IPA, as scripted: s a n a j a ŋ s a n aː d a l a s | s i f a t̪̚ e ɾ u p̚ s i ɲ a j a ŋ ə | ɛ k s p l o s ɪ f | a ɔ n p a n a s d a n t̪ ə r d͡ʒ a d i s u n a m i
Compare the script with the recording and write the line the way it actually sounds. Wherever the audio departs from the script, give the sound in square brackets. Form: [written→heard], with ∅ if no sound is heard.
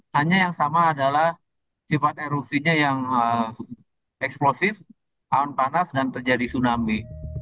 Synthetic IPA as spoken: [s→h] a [n→ɲ] a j a ŋ s a [n→m] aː d a l a [s→h] | s i f a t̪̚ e ɾ u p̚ s i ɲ a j a ŋ ə | ɛ k s p l o s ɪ f | a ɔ n p a n a s d a n t̪ ə r d͡ʒ a d i s u n a m i